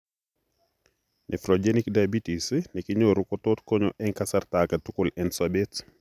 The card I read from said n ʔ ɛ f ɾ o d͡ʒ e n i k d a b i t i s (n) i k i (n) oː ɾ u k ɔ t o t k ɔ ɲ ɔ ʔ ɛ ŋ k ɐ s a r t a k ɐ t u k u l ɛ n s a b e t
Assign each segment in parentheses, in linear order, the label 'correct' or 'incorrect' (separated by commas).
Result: correct, incorrect